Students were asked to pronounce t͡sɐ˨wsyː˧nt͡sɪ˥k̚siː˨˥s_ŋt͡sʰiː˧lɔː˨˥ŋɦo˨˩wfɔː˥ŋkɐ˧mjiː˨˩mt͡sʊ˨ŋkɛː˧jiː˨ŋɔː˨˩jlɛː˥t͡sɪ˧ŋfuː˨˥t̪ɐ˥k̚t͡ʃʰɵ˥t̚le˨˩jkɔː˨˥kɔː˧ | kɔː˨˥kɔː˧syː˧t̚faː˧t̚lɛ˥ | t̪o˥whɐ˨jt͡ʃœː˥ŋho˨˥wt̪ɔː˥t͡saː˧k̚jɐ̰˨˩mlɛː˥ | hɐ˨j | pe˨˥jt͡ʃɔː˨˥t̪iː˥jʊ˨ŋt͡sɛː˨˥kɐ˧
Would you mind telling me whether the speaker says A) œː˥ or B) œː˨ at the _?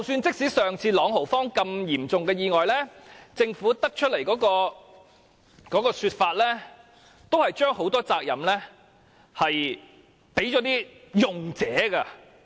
B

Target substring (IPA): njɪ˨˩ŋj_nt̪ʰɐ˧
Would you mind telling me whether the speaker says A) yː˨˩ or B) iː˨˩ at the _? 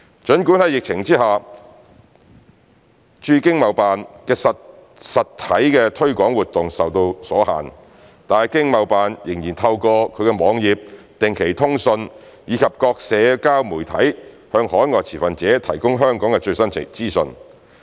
B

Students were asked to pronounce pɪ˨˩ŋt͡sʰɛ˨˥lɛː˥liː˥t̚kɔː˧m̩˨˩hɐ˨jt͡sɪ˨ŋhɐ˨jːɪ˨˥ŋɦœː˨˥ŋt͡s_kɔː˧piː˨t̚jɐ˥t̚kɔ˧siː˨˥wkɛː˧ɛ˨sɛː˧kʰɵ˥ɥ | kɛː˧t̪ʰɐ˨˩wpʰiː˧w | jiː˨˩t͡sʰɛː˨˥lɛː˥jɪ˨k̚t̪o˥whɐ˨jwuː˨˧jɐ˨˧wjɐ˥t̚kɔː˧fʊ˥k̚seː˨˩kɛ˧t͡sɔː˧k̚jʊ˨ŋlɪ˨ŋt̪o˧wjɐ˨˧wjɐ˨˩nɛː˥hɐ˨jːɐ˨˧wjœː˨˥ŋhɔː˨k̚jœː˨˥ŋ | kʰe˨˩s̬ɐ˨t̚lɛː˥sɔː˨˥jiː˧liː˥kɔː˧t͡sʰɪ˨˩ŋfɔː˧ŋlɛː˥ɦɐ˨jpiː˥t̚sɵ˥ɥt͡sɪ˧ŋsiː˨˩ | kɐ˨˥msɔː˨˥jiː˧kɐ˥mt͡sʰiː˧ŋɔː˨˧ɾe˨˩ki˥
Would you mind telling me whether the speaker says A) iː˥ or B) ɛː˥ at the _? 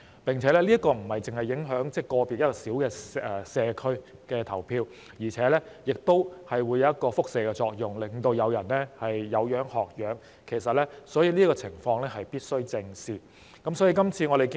B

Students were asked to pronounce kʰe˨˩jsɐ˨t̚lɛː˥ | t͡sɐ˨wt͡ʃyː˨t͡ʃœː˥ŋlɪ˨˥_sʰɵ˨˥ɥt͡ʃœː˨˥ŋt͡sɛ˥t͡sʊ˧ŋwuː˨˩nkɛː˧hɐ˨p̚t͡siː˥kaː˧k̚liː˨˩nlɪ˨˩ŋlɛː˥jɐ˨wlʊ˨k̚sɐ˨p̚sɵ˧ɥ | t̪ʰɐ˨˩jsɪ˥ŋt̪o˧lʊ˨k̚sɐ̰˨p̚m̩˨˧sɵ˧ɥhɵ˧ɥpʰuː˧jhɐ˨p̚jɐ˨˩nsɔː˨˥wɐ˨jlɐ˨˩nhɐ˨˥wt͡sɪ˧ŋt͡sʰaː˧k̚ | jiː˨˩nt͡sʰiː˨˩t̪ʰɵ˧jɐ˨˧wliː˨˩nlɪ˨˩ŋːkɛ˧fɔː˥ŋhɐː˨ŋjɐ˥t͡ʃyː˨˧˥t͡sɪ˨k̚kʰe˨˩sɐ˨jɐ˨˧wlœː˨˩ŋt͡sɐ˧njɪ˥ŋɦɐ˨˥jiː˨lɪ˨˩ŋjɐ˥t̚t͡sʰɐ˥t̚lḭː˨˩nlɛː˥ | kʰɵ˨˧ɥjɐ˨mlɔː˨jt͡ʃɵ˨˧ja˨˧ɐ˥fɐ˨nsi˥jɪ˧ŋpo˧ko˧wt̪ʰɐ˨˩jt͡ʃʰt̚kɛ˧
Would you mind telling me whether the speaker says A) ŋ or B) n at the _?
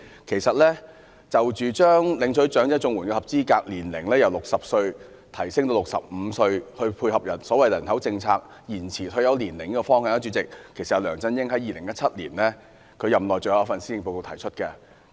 A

